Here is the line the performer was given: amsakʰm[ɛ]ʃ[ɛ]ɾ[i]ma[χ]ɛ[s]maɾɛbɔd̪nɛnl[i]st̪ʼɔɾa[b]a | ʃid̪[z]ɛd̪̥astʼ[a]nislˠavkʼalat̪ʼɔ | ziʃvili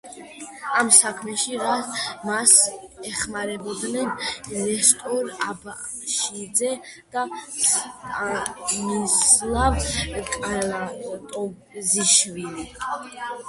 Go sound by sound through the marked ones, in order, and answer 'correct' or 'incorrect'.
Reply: correct, incorrect: i, incorrect: a, incorrect: s, incorrect: χ, incorrect: ɛ, correct, correct, correct

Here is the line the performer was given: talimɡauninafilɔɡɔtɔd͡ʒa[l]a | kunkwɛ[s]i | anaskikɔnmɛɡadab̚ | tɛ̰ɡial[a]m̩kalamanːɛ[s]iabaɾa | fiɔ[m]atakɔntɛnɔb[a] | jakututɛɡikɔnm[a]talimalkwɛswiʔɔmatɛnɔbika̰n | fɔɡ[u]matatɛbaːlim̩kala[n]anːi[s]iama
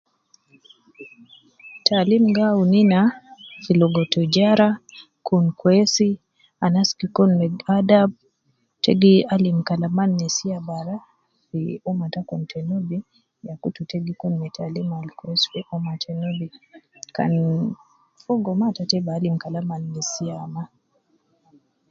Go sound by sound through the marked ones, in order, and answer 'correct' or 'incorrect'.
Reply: incorrect: ɾ, correct, incorrect: i, correct, correct, incorrect: i, incorrect: ɛ, incorrect: ɔ, incorrect: m, correct

